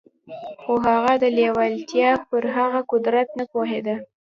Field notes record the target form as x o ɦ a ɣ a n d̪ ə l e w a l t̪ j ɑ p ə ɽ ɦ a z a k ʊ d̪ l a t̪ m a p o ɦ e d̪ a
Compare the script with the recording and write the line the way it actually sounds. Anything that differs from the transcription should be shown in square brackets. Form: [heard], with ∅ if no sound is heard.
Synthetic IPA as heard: x o ɦ a ɣ a [∅] d̪ ə l e w a l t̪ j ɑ p ə [ɾ] ɦ a [ɣ] a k ʊ d̪ [ɾ] a t̪ [n] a p o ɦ e d̪ a